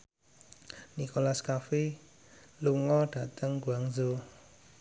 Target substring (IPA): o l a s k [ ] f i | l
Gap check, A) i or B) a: B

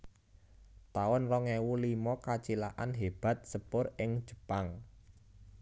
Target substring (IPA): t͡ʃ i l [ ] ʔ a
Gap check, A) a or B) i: A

